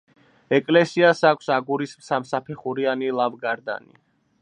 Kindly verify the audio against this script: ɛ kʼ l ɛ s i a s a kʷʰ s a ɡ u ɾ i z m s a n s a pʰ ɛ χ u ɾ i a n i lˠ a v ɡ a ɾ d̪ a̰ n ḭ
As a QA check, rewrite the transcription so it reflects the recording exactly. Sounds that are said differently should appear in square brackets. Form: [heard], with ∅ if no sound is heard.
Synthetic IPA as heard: ɛ kʼ l ɛ s i a s a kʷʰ s a ɡ u ɾ i [s] m s a [m] s a pʰ ɛ χ u ɾ i a n i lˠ a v ɡ a ɾ d̪ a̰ n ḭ